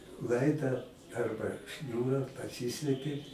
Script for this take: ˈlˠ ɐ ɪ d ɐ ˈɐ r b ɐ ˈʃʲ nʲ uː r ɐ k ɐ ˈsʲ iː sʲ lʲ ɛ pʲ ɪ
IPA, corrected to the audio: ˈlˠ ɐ ɪ d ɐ ˈɐ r b ɐ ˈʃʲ nʲ uː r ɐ p ɐ ˈsʲ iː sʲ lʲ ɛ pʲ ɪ